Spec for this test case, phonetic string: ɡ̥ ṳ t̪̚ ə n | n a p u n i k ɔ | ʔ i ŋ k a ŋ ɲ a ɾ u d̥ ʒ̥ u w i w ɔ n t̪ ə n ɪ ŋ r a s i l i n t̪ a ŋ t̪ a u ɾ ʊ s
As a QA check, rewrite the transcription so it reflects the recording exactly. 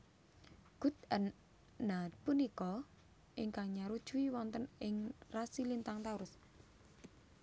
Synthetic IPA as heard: ɡ̥ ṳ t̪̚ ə n | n a p u n i k ɔ | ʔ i ŋ k a ŋ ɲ a ɾ u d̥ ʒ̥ u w i w ɔ n t̪ ə n ɪ ŋ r a s i l i n t̪ a ŋ t̪ a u ɾ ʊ s